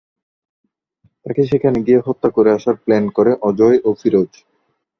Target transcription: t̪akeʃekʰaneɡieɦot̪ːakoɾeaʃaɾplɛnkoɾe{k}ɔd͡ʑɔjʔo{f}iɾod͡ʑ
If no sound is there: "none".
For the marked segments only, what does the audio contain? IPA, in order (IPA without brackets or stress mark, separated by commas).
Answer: ʔ, f